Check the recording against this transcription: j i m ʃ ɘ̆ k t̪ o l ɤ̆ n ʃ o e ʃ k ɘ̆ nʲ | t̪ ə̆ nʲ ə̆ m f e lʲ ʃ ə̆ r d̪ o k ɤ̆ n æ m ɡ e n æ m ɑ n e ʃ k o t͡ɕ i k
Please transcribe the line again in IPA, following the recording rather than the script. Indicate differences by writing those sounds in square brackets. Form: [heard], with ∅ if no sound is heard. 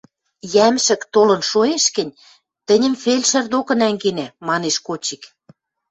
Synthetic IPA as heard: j [æ] m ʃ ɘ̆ k t̪ o l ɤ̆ n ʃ o e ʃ k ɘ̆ nʲ | t̪ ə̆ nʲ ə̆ m f e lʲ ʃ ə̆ r d̪ o k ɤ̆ n æ [ŋ] ɡ e n æ m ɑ n e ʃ k o t͡ɕ i k